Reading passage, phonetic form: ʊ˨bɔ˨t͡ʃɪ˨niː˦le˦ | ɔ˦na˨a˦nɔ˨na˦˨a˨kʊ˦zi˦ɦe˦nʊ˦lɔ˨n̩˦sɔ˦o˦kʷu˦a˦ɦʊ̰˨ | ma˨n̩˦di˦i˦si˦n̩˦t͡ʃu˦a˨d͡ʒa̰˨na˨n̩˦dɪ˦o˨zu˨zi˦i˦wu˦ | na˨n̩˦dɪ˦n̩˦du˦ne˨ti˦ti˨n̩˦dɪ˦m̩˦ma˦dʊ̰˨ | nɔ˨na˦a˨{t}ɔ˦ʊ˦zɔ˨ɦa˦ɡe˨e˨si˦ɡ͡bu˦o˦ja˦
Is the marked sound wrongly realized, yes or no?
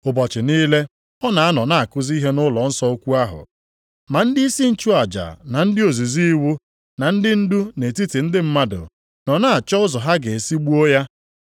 yes